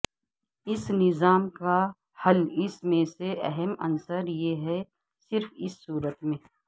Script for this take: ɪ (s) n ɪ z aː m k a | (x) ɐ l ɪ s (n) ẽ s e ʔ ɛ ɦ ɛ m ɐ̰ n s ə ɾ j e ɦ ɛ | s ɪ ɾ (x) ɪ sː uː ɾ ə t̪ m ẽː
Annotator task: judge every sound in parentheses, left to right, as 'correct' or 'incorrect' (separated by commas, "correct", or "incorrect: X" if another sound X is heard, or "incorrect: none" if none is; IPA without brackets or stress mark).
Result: correct, incorrect: h, incorrect: m, incorrect: f